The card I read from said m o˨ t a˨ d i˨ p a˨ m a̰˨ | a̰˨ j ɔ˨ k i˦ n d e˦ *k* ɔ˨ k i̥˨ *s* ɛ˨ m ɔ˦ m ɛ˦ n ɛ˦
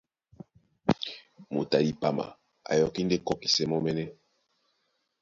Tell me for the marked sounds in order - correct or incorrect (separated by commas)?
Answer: correct, correct